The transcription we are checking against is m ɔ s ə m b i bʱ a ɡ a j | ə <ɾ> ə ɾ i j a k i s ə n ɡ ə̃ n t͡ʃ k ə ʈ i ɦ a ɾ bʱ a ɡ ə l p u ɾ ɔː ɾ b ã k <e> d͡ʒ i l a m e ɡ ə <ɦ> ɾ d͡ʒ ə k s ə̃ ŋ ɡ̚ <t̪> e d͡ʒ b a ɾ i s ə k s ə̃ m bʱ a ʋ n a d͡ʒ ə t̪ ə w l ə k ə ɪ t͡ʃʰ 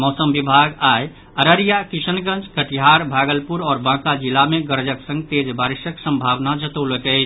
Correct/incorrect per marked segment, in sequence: correct, incorrect: a, incorrect: none, correct

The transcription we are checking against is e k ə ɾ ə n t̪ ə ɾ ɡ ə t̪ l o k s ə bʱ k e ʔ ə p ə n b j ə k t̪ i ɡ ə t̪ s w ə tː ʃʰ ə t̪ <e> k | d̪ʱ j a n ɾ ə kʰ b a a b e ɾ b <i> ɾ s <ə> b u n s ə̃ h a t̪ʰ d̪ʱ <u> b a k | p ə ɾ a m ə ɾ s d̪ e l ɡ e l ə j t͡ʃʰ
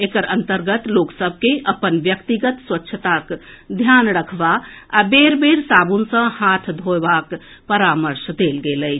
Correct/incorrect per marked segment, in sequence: incorrect: a, incorrect: e, incorrect: a, incorrect: o

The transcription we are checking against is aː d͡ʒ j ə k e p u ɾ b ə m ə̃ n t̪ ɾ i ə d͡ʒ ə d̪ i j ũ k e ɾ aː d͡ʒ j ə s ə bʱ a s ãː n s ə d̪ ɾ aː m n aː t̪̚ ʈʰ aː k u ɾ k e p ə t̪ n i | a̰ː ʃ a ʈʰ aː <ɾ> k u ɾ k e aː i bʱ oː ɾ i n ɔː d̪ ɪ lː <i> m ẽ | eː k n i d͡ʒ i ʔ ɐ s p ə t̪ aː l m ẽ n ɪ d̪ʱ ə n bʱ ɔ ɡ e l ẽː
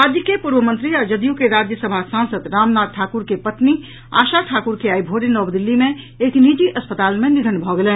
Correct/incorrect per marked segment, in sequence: incorrect: none, correct

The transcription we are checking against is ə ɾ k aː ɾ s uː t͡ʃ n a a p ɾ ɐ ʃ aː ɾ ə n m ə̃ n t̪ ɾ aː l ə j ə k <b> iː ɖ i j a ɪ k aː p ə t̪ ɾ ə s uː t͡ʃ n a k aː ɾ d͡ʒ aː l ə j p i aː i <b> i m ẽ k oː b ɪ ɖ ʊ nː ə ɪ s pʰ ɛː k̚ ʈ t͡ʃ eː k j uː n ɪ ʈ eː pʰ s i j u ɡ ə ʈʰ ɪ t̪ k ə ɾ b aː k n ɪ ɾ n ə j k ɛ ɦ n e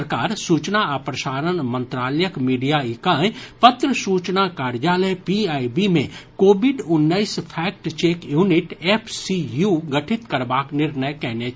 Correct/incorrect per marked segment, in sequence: incorrect: m, correct

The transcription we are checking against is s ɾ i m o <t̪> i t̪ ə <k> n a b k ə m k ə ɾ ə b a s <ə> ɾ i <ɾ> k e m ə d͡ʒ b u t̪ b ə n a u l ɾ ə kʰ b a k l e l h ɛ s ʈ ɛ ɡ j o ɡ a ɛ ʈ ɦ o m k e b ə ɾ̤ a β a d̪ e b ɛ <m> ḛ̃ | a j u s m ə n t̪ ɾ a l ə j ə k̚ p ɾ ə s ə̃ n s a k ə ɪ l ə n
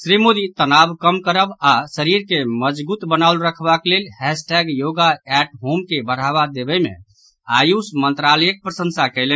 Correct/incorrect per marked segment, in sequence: incorrect: d̪, incorrect: none, correct, correct, correct

